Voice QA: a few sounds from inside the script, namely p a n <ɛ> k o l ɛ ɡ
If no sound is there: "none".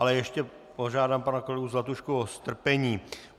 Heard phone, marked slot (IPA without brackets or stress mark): a